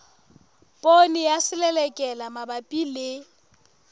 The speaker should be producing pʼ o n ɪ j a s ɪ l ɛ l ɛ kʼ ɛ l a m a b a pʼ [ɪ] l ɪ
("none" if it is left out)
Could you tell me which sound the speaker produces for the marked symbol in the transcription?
i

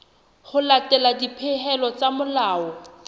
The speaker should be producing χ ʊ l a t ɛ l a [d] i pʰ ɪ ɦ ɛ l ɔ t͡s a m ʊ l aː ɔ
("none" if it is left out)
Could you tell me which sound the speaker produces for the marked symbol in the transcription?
d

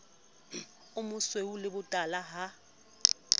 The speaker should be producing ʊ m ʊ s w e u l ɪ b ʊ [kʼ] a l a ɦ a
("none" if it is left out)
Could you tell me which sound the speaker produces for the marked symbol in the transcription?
tʼ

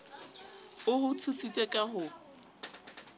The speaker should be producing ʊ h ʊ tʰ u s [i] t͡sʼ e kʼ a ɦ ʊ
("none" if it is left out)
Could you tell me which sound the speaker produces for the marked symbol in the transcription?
i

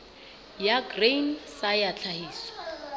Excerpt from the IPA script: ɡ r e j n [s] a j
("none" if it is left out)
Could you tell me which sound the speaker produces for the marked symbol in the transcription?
s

